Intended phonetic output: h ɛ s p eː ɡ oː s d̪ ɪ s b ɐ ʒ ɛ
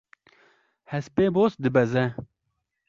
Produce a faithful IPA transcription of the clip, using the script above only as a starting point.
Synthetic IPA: h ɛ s p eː b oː s d̪ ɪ b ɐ z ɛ